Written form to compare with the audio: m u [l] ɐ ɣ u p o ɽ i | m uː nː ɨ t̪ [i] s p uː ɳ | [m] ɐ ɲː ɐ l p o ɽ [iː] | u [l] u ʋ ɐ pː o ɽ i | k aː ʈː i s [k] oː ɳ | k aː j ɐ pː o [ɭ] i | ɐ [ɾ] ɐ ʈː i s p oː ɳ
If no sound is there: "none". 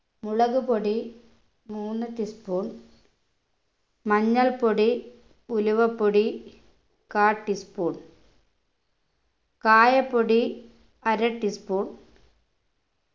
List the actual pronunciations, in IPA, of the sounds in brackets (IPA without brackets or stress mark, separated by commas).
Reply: ɭ, i, m, i, l, p, ɽ, ɾ